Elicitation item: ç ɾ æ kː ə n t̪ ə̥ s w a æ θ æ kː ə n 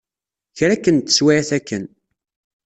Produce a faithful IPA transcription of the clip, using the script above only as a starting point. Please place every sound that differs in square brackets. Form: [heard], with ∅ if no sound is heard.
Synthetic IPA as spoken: ç ɾ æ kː ə n t̪ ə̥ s w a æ θ æ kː ə n

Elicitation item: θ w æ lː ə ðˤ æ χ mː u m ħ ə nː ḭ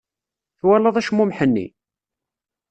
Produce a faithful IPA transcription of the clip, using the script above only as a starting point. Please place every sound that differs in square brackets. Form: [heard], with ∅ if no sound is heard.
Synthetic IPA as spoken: θ w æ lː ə ðˤ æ [ʃ] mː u m ħ ə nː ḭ

